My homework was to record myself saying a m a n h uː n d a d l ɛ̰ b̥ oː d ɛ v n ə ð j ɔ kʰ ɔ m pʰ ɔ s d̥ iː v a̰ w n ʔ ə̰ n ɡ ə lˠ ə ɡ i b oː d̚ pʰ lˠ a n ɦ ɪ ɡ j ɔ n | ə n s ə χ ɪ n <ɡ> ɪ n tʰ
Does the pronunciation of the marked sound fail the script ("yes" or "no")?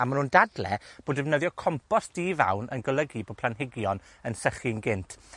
no